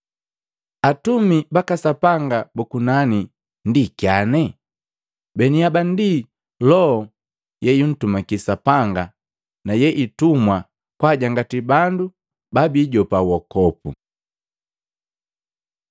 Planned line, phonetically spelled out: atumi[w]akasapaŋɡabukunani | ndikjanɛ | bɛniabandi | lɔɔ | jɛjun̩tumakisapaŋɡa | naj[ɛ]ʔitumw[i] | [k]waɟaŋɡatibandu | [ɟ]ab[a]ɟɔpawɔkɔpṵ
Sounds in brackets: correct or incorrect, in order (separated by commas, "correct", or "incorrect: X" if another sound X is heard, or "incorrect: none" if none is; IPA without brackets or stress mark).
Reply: incorrect: b, correct, incorrect: a, correct, incorrect: b, incorrect: i